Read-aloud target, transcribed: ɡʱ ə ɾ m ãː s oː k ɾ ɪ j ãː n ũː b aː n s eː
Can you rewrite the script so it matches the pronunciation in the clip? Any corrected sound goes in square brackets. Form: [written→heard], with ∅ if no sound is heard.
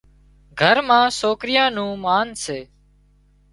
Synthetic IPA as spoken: ɡʱ ə ɾ m ãː s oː k ɾ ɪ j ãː n ũː [b→m] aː n s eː